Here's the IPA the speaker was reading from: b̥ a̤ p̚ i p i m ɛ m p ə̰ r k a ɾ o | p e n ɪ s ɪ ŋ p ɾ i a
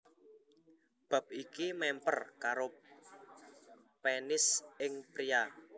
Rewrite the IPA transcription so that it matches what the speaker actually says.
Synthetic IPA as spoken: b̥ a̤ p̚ i k i m ɛ m p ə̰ r k a ɾ o | p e n ɪ s ɪ ŋ p ɾ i a